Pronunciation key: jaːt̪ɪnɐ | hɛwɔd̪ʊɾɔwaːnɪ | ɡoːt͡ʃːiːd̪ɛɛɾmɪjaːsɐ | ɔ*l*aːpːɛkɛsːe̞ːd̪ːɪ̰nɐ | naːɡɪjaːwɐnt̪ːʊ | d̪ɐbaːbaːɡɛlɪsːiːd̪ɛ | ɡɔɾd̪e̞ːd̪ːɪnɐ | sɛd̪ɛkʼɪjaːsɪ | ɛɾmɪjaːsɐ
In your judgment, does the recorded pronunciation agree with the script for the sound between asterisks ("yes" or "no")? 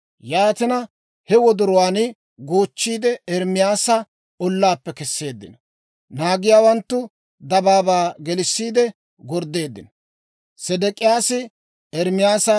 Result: no